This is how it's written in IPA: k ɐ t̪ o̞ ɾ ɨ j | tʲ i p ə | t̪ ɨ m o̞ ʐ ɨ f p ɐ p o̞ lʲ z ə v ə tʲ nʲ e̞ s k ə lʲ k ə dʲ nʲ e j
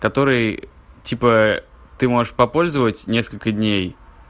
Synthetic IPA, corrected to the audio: k ɐ t̪ o̞ ɾ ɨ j | tʲ i p ə | t̪ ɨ m o̞ ʐ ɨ ʂ p ɐ p o̞ lʲ z ə v ə tʲ nʲ e̞ s k ə lʲ k ə dʲ nʲ e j